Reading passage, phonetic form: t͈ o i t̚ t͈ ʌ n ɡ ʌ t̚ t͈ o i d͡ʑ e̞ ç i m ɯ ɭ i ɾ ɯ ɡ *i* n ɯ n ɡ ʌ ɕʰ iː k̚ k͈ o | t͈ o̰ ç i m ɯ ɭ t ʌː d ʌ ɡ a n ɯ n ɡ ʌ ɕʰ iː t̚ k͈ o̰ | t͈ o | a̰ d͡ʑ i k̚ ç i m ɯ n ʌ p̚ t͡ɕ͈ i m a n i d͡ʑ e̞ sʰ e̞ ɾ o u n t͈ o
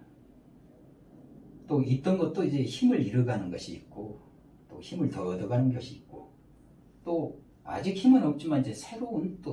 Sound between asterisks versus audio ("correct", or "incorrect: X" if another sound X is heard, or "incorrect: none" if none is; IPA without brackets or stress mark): incorrect: a